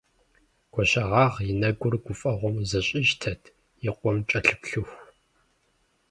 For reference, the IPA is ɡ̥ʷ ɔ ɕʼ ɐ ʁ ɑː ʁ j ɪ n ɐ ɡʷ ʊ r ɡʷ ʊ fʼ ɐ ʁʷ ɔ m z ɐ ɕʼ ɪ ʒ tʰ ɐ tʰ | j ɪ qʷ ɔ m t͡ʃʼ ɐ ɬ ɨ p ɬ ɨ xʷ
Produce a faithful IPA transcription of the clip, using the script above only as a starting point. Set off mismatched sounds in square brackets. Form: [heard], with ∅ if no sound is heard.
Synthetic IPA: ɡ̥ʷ ɔ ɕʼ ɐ ʁ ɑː ʁ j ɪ n ɐ ɡʷ ʊ r ɡʷ ʊ fʼ ɐ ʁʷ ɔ m z ɐ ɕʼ ɪ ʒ tʰ ɐ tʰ | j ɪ qʷ ɔ m t͡ʃʼ ɐ ɬ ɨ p ɬ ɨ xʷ